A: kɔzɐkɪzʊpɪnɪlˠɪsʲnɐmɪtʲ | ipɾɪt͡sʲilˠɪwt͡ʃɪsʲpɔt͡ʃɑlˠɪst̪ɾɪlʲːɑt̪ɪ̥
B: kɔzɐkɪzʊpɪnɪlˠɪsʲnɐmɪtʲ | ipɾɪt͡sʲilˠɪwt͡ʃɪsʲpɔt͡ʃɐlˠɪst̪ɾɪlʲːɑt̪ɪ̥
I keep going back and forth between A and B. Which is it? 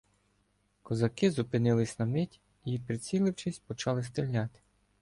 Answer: A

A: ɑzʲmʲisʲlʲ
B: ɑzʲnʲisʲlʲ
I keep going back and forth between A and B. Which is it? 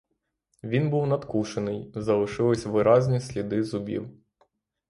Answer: B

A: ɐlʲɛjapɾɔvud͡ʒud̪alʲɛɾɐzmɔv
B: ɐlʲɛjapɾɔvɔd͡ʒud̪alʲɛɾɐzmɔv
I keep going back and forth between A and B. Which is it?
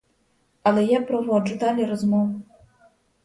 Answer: B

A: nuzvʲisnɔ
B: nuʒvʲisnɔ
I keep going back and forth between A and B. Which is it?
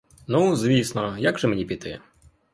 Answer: A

